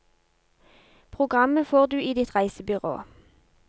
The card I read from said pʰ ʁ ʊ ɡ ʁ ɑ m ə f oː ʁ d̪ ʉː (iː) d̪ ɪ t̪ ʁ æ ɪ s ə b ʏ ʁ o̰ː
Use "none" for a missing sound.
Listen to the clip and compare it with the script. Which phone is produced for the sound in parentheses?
iː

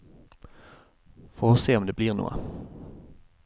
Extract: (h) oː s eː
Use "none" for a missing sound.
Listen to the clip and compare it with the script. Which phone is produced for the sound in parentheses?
f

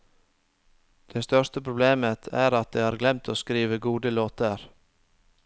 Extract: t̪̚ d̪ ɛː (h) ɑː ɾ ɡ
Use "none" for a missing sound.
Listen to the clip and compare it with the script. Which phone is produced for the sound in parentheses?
h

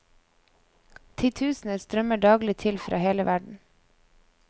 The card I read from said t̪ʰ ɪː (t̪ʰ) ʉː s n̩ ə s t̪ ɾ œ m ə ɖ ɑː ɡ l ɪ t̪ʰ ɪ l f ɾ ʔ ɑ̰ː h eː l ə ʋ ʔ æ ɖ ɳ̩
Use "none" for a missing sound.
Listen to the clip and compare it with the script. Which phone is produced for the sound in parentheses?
t̪ʰ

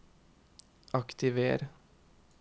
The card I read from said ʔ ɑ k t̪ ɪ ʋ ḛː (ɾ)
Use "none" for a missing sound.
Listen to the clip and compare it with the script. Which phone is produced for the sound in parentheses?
ɾ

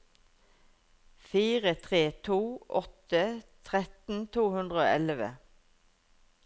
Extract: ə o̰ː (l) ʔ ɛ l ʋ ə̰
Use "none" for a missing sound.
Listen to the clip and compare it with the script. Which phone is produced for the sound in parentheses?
none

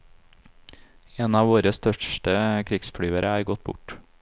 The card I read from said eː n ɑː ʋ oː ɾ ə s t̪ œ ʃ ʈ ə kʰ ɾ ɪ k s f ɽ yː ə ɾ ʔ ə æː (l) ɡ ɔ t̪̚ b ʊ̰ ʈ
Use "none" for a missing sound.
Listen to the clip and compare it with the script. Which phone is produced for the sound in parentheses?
ɾ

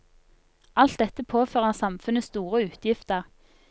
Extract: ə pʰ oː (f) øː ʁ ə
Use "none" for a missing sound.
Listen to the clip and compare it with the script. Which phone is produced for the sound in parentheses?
f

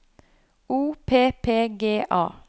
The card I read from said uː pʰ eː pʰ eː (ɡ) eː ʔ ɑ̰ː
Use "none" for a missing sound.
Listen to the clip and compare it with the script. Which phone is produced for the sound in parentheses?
ɡ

